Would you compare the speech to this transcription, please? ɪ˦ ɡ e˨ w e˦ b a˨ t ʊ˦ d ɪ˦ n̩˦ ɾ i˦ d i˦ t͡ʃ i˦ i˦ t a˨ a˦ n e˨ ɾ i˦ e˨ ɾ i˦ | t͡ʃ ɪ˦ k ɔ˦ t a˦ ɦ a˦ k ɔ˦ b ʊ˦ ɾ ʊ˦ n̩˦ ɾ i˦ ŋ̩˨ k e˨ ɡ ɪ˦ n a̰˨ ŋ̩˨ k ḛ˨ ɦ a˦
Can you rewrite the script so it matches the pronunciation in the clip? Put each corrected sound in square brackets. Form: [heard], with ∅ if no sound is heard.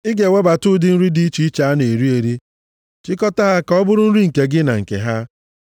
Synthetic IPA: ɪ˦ ɡ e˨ w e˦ b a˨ t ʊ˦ d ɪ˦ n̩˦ ɾ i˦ d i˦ t͡ʃ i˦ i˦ [t͡ʃ] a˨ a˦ n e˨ ɾ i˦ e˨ ɾ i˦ | t͡ʃ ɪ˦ k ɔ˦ t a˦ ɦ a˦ k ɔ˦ b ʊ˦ ɾ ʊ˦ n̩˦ ɾ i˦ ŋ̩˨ k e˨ ɡ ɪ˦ n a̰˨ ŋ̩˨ k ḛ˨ ɦ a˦